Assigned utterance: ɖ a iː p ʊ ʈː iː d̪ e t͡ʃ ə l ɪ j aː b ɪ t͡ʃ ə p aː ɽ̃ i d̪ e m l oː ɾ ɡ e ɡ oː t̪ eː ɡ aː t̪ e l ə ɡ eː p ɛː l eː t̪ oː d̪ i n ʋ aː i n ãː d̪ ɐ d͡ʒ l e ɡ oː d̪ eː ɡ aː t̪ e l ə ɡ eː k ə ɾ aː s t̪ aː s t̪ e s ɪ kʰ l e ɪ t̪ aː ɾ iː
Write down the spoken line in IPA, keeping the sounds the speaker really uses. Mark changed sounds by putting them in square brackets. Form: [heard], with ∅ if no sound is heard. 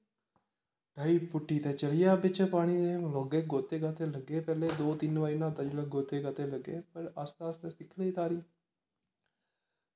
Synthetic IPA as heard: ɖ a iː p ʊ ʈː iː [t̪] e t͡ʃ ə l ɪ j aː b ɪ t͡ʃ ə p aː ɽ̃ i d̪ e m l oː [∅] ɡ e ɡ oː t̪ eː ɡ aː t̪ e l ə ɡ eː p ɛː l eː [d̪] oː [t̪] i n ʋ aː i n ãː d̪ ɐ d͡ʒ l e ɡ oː [t̪] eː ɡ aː t̪ e l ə ɡ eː [p] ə ɾ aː s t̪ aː s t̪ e s ɪ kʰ l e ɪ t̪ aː ɾ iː

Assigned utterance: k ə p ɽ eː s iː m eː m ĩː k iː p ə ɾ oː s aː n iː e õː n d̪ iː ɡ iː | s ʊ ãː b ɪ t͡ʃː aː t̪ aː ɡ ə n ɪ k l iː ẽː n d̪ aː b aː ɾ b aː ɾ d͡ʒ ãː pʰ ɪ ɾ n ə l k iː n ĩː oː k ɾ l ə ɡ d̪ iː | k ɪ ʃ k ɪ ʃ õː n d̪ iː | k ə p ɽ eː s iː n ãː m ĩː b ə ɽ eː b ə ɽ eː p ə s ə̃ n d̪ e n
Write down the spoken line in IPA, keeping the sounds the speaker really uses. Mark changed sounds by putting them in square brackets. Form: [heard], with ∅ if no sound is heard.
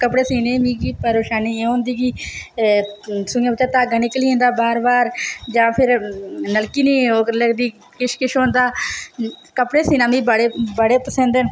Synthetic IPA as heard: k ə p ɽ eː s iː [n] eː m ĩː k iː p ə ɾ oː [ʃ] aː n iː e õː n d̪ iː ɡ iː | s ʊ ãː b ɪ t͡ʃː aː t̪ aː ɡ ə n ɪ k l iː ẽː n d̪ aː b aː ɾ b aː ɾ d͡ʒ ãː pʰ ɪ ɾ n ə l k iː n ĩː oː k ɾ l ə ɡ d̪ iː | k ɪ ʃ k ɪ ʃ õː n d̪ [aː] | k ə p ɽ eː s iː n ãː m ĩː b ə ɽ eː b ə ɽ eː p ə s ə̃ n d̪ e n

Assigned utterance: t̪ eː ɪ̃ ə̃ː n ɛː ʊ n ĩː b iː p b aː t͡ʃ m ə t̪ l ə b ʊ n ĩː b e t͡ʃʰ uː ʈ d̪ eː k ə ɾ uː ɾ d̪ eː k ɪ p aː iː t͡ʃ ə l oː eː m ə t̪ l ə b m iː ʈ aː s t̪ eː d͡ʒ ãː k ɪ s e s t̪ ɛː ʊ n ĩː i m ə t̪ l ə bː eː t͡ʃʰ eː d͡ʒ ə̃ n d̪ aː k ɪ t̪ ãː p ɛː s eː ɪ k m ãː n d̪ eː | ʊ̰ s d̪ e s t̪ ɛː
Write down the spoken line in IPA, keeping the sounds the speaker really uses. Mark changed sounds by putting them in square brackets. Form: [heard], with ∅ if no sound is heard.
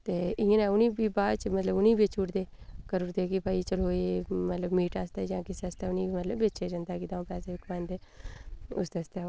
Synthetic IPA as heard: t̪ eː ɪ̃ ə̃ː n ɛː ʊ n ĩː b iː [∅] b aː t͡ʃ m ə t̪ l ə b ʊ n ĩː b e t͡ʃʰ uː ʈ d̪ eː k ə ɾ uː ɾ d̪ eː k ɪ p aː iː t͡ʃ ə l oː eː m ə t̪ l ə b m iː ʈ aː s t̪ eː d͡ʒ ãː k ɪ s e s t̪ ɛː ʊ n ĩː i m ə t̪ l ə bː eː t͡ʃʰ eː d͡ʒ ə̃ n d̪ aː k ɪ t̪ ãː p ɛː s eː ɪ k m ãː n d̪ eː | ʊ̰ s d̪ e s t̪ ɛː

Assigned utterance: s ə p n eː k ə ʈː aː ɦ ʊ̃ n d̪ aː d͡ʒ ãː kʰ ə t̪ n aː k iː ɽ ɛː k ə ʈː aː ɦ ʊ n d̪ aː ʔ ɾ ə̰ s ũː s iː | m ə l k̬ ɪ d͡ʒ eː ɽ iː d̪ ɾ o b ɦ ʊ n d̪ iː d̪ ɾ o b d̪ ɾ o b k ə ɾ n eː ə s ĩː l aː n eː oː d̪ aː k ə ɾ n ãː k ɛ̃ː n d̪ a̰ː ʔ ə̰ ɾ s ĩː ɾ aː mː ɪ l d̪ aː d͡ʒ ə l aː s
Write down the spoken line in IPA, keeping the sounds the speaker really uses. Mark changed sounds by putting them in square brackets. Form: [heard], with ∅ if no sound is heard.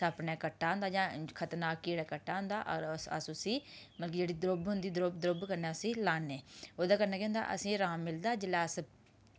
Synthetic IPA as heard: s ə p n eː k ə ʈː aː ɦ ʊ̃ n d̪ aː d͡ʒ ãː kʰ ə t̪ n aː k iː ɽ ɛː k ə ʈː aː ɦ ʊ n d̪ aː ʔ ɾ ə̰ s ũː s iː | m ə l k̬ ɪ d͡ʒ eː ɽ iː d̪ ɾ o b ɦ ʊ n d̪ iː d̪ ɾ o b d̪ ɾ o b k ə ɾ n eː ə s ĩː l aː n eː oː d̪ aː k ə ɾ n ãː k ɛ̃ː n d̪ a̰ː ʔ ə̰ [∅] s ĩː ɾ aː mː ɪ l d̪ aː d͡ʒ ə l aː s

